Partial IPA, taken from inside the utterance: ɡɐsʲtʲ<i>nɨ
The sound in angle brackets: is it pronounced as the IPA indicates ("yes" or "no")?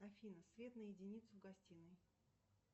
yes